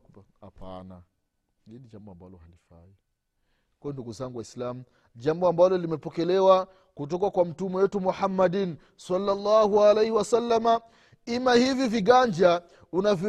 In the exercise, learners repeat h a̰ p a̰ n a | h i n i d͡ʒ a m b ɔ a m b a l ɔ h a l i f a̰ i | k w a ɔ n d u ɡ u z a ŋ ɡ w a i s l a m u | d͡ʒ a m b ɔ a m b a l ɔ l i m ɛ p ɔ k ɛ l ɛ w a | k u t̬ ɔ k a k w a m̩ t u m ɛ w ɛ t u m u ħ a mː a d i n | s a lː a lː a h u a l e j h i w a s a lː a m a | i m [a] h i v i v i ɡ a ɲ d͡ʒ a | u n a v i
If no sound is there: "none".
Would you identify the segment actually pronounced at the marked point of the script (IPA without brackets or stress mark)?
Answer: a